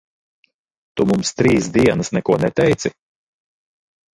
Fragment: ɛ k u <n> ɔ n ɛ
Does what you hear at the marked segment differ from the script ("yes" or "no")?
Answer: yes